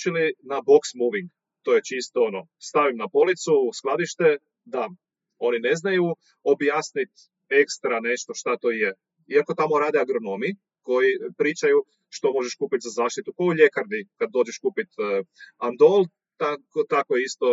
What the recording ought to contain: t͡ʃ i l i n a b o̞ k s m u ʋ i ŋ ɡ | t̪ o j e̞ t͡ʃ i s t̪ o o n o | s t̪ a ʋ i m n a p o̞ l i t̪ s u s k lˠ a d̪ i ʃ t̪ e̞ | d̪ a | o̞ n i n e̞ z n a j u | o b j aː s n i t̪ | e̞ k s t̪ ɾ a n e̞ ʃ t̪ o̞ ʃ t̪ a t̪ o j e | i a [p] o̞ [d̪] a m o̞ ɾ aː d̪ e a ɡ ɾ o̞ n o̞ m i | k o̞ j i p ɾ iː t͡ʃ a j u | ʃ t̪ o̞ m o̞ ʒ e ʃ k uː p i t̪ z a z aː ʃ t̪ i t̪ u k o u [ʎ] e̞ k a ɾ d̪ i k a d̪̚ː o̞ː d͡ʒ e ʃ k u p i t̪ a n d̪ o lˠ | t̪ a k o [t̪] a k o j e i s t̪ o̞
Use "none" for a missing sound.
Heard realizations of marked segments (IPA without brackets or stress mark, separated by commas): k, t̪, ʎ, t̪